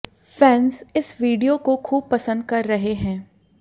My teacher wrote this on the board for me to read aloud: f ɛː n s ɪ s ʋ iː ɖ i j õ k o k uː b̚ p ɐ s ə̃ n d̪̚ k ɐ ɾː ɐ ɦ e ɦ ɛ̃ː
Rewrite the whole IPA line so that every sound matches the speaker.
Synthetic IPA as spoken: f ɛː n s ɪ s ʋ iː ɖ i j o k o kʰ uː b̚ p ɐ s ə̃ n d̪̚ k ɐ ɾː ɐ ɦ e ɦ ɛ̃ː